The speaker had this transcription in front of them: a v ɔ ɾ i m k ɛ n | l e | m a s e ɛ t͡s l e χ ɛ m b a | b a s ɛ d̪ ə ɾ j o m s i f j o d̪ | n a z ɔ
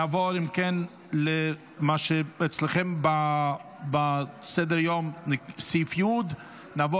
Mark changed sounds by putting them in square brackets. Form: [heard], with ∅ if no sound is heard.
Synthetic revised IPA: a v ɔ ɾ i m k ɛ n | l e | m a [ʃ] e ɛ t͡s l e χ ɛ m b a | b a s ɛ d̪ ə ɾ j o m s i f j [u] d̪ | n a [v] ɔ

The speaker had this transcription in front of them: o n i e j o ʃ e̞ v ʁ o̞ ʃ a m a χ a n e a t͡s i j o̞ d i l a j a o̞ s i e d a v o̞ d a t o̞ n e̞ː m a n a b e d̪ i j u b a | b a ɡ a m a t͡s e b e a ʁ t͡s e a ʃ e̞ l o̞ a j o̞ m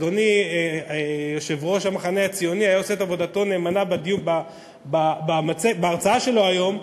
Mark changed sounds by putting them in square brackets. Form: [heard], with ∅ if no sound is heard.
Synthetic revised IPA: o n i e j o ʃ e̞ v ʁ o̞ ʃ a m a χ a n e a t͡s i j o̞ [n] i [∅] a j a o̞ s [e] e [t] a v o̞ d a t o̞ n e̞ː m a n a b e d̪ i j u b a | b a [b] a m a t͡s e b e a ʁ t͡s [a] a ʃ e̞ l o̞ a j o̞ m

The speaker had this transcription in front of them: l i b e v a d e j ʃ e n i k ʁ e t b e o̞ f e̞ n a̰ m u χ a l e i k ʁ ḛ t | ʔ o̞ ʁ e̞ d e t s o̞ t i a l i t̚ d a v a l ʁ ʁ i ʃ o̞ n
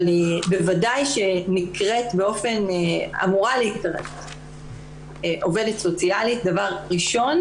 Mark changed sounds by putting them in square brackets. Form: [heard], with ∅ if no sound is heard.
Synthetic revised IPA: l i b e v a d [a] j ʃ e n i k ʁ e t b e o̞ f e̞ n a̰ m u [ʁ] a l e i k ʁ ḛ t | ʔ o̞ [v] e̞ d e t s o̞ [t͡s] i a l i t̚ d a v a [∅] ʁ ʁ i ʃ o̞ n

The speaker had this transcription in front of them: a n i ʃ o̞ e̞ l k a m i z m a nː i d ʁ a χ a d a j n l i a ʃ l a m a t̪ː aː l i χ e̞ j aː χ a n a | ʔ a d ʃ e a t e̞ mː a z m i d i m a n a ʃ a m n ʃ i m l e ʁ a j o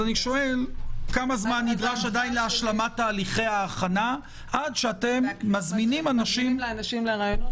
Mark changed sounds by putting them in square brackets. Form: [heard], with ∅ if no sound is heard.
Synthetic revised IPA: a n i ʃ o̞ e̞ l k a m [a] z m a nː i d ʁ a [ʃ] a d a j n l [e] a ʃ l a m a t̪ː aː l i χ e̞ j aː χ a n a | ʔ a d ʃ e a t e̞ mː a z m i [n] i m a n a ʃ [i] m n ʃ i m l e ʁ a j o

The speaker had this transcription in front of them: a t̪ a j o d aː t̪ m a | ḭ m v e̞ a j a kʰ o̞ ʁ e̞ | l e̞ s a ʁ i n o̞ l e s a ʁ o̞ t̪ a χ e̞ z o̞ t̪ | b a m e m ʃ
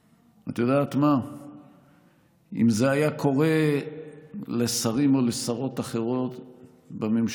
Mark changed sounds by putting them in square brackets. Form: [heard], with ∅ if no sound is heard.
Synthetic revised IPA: a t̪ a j o d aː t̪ m a | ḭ m [z] e̞ a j a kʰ o̞ ʁ e̞ | l e̞ s a ʁ i [m] o̞ l e s a ʁ o̞ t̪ a χ e̞ [ʁ] o̞ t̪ | b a m e m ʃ

